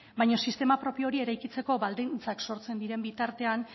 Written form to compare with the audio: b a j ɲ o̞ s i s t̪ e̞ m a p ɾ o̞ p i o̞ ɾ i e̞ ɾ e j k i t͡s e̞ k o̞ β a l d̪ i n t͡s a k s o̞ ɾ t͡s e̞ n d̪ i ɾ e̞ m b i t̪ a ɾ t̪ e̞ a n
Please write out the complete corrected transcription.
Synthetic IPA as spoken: b a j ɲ o̞ s i s t̪ e̞ m a p ɾ o̞ p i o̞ ɾ i e̞ ɾ a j k i t͡s e̞ k o̞ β a l d̪ i n t͡s a k s o̞ ɾ t͡s e̞ n d̪ i ɾ e̞ m b i t̪ a ɾ t̪ e̞ a n